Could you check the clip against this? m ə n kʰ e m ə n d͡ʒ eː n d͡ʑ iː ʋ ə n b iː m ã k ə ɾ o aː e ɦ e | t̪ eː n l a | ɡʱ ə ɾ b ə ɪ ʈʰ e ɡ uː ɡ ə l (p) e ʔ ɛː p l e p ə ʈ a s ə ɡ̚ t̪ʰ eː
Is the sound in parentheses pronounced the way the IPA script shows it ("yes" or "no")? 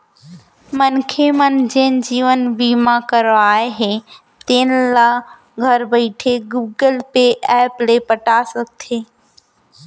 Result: yes